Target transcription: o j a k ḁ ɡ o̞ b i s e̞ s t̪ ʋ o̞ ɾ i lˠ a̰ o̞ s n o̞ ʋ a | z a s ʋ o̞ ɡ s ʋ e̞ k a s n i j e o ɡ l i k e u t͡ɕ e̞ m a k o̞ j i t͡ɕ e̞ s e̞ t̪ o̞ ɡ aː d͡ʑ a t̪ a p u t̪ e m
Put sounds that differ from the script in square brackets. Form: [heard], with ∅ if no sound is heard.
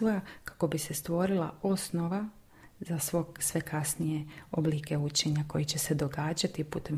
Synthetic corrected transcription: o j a k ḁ [k] o̞ b i s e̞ s t̪ ʋ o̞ ɾ i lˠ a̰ o̞ s n o̞ ʋ a | z a s ʋ o̞ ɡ s ʋ e̞ k a s n i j e o [b] l i k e u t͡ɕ e̞ [ɲ] a k o̞ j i t͡ɕ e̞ s e̞ [d̪] o̞ ɡ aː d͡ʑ a t̪ [i] p u t̪ e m